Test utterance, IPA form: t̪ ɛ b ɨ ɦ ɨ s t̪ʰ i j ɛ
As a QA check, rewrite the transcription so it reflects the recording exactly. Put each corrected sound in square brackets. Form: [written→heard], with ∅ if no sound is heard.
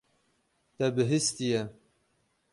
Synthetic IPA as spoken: t̪ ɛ b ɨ ɦ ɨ s [t̪ʰ→t̪] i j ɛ

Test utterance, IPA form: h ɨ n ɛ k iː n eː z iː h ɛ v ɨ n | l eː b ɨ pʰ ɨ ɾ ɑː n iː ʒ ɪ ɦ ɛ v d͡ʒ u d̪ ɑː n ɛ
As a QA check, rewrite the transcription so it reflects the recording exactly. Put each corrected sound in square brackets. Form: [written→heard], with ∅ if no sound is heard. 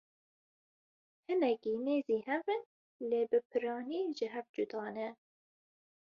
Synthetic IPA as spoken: h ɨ n ɛ k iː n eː z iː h ɛ v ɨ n | l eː b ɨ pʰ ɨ ɾ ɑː n iː ʒ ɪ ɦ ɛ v d͡ʒ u d̪ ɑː n ɛ

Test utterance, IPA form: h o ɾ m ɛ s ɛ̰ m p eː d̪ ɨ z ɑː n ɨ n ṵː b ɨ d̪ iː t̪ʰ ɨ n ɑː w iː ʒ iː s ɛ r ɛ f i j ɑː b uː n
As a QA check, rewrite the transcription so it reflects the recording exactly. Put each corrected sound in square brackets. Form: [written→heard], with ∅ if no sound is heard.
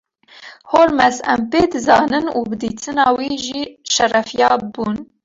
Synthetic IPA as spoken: h o ɾ m ɛ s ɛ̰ m p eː d̪ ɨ z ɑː n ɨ n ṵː b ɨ d̪ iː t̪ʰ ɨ n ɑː w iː ʒ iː [s→ʃ] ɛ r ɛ f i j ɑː b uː n

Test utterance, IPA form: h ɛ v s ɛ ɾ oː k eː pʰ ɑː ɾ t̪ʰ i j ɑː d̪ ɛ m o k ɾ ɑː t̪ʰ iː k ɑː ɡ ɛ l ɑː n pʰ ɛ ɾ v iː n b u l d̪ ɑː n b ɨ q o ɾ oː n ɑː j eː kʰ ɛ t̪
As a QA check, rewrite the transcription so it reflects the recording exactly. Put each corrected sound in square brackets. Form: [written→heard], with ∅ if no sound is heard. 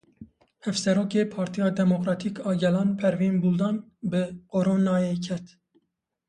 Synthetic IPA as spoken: h ɛ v s ɛ ɾ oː k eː pʰ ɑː ɾ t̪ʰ i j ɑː d̪ ɛ m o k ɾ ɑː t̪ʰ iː k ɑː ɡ ɛ l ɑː n pʰ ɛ ɾ v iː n b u l d̪ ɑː n b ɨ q o ɾ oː n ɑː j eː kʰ ɛ t̪

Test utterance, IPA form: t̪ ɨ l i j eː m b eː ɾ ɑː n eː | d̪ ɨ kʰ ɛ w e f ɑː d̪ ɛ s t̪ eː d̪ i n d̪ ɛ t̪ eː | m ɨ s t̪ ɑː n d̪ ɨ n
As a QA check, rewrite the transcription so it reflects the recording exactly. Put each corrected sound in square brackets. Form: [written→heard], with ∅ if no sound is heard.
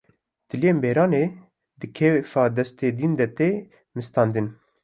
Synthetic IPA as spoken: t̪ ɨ l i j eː m b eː ɾ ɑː n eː | d̪ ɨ kʰ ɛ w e f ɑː d̪ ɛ s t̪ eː d̪ i n d̪ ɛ t̪ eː | m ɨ s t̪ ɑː n d̪ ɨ n

